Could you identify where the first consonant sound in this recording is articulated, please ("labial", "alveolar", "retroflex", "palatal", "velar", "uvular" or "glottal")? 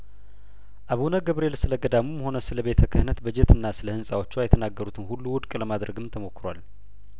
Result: glottal